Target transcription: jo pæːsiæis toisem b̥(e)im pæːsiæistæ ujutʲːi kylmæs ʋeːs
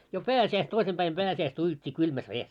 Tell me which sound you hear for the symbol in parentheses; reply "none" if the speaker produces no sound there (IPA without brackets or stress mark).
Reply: æ